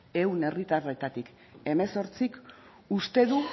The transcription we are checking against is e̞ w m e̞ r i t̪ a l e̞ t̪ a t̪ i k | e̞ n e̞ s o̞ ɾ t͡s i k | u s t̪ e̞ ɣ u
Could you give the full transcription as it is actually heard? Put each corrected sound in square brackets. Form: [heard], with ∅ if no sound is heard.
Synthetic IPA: e̞ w [n] e̞ r i t̪ a [r] e̞ t̪ a t̪ i k | e̞ [m] e̞ s o̞ ɾ t͡s i k | u s t̪ e̞ [ð] u